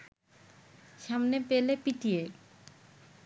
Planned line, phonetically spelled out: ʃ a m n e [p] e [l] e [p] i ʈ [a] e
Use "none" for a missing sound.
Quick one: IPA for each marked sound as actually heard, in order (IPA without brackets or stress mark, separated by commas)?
p, l, p, i